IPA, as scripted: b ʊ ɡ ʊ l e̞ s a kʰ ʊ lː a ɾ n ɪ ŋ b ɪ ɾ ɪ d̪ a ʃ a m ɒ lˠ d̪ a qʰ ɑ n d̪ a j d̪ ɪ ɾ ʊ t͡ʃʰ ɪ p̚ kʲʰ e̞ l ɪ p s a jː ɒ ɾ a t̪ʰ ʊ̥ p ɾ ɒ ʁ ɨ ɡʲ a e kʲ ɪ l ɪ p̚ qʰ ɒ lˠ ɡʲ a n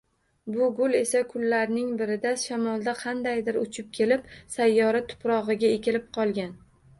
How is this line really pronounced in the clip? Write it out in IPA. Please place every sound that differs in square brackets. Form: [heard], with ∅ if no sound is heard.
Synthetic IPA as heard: b ʊ ɡ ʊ l e̞ s a kʰ ʊ lː a ɾ n ɪ ŋ b ɪ ɾ ɪ d̪ a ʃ a m ɒ lˠ d̪ a qʰ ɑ n d̪ a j d̪ ɪ ɾ ʊ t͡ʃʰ ɪ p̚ kʲʰ e̞ l ɪ p s a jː ɒ ɾ a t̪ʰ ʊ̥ p ɾ ɒ ʁ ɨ ɡʲ a e kʲ ɪ l ɪ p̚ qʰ ɒ lˠ ɡʲ a n